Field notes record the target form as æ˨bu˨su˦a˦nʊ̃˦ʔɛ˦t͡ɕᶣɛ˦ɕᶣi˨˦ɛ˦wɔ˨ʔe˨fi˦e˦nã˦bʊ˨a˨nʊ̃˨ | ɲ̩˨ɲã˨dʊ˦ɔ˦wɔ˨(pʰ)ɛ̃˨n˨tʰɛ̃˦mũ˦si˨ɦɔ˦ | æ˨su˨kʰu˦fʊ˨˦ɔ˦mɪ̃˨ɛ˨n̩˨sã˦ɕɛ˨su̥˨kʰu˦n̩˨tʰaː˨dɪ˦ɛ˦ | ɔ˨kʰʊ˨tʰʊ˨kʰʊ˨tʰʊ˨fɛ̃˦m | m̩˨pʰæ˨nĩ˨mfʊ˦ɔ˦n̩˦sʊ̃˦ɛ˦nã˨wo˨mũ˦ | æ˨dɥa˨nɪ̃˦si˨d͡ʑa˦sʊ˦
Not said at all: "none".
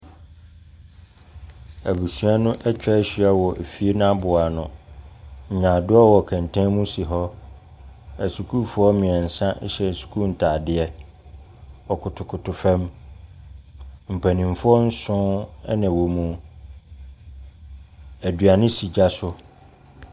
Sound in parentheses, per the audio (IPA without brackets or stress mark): kʰ